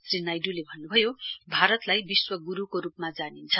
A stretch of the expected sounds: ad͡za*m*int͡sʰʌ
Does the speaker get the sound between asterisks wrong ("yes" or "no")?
yes